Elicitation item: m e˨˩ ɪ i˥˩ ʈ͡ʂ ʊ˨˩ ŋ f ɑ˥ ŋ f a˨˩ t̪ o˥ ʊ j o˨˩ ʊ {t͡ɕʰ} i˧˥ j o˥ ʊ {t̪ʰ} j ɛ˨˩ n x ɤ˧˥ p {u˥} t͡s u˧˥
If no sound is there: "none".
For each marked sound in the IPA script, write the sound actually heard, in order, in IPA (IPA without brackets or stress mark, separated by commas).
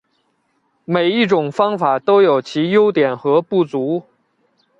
t͡ɕʰ, t̪, u˥˩